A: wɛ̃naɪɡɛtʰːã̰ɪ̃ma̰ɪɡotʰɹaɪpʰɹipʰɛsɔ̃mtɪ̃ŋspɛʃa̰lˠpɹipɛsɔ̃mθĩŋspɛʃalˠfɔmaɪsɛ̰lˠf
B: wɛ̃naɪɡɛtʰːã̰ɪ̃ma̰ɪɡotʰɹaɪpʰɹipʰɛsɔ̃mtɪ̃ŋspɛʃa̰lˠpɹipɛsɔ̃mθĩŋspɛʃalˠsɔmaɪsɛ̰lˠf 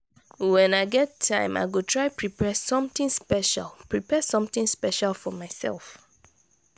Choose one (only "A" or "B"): A